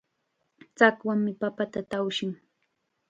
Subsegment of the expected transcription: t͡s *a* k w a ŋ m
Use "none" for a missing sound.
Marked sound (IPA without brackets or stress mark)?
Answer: a